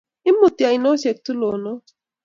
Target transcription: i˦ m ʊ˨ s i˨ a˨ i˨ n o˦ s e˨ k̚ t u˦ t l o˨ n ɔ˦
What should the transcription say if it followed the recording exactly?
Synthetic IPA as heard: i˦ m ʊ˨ t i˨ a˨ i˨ n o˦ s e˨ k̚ t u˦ l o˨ n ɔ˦